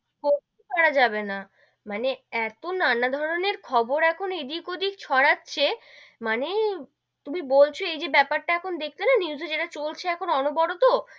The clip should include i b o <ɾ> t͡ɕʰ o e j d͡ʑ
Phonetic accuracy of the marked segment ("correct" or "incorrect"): incorrect